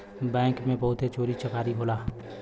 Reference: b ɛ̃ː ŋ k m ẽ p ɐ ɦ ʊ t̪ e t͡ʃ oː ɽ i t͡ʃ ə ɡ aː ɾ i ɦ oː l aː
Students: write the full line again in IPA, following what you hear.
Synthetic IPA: b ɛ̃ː ŋ k m ẽ b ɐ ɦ ʊ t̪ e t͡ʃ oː ɾ i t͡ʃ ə k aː ɾ i ɦ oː l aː